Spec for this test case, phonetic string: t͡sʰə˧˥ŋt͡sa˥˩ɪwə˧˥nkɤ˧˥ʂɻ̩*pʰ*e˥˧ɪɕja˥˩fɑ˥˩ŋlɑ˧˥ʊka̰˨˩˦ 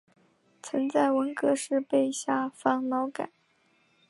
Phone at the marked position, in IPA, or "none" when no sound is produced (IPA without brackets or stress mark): p